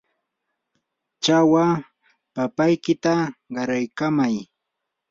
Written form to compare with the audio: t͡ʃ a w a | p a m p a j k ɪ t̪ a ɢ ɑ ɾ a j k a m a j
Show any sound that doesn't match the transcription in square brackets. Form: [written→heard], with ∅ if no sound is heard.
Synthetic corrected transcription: t͡ʃ a w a | p a [m→∅] p a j k ɪ t̪ a ɢ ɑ ɾ a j k a m a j